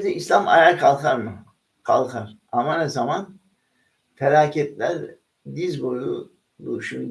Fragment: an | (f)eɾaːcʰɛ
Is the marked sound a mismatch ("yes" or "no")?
no